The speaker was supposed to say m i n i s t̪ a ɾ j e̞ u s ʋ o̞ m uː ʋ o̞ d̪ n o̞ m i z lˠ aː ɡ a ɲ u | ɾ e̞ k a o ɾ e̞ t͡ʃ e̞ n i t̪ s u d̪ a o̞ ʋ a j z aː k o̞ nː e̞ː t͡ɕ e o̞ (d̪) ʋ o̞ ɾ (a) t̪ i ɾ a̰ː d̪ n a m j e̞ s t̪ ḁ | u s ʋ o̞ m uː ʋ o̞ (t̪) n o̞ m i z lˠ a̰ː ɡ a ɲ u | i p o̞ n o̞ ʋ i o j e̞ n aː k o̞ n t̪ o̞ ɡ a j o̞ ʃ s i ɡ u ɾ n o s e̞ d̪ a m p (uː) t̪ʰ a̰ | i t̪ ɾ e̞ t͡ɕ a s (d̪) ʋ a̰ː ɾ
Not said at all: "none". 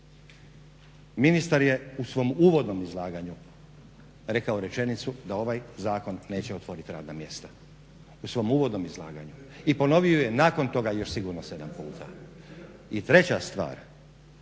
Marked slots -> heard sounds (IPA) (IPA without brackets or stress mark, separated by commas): t̪, i, d̪, uː, t̪